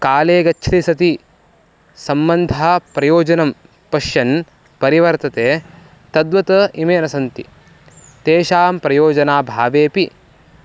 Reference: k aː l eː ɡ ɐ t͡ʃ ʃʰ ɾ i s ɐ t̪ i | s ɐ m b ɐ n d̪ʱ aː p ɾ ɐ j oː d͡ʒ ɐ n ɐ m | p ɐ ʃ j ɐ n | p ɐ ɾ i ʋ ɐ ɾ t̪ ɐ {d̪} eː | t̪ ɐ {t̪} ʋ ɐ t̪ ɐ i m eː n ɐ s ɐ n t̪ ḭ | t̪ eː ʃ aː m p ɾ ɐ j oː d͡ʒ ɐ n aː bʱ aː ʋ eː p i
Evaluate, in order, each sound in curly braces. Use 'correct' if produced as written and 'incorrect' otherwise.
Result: incorrect: t̪, incorrect: d̪

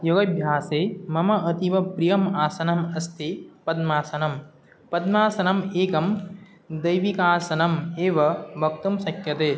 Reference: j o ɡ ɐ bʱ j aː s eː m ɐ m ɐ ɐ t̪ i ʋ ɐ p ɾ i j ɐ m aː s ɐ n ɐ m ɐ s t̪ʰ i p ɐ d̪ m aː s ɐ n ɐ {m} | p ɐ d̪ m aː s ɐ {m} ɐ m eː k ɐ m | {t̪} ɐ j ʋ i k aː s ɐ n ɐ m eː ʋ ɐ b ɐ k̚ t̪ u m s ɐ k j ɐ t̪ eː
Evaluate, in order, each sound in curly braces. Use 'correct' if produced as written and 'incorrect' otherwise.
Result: correct, incorrect: n, incorrect: d̪

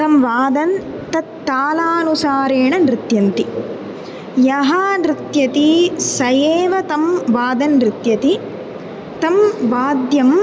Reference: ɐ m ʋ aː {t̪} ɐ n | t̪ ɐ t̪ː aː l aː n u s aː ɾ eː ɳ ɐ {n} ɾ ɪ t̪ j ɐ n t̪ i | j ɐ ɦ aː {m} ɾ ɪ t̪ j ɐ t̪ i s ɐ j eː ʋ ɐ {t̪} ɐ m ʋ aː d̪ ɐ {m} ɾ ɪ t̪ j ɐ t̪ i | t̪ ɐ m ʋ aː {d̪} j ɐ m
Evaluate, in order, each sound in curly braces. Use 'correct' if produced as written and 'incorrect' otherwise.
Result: incorrect: d̪, correct, incorrect: n, correct, incorrect: n, correct

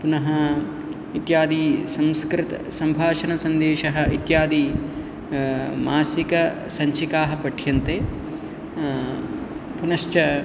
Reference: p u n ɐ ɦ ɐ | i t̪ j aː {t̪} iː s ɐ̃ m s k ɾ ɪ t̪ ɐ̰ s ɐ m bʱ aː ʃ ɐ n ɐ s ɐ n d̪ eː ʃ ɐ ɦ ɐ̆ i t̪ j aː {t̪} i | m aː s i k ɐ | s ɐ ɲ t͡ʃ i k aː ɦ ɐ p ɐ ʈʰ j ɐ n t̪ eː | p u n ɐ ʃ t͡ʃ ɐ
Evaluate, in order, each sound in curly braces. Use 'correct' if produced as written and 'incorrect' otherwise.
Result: incorrect: d̪, incorrect: d̪

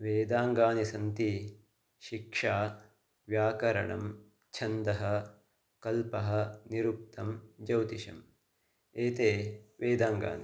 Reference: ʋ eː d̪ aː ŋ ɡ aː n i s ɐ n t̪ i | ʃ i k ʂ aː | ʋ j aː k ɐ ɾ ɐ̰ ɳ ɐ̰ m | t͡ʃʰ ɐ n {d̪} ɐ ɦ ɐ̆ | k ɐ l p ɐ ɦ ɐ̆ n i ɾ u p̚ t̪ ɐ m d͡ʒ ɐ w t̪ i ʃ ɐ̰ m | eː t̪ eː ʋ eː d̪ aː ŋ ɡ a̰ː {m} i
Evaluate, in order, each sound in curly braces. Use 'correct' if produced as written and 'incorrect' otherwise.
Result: correct, incorrect: n

